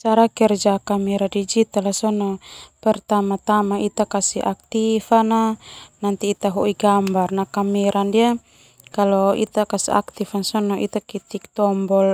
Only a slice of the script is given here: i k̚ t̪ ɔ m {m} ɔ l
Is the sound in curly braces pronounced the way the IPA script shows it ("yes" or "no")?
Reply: no